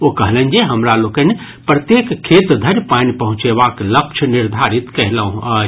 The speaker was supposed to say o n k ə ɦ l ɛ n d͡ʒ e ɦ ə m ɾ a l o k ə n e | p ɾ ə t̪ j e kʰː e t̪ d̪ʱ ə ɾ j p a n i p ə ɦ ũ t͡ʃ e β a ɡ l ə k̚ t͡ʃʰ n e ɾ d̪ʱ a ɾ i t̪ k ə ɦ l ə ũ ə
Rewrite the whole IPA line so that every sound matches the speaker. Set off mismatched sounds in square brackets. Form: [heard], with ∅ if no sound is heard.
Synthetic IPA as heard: o [∅] k ə ɦ l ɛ n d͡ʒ e ɦ ə m ɾ a l o k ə n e | p ɾ ə t̪ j e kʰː e t̪ d̪ʱ ə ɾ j p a n i p ə ɦ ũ t͡ʃ e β a [k] l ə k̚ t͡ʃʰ n [i] ɾ d̪ʱ a ɾ i t̪ k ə ɦ l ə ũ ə